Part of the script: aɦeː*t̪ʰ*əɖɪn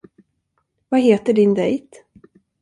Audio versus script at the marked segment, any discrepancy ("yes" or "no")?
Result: yes